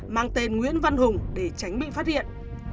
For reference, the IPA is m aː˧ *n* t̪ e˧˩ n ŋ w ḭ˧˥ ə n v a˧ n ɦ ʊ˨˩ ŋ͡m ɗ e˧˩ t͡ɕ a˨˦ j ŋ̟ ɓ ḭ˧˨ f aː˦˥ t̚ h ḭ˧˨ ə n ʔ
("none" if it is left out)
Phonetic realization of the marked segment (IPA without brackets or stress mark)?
ŋ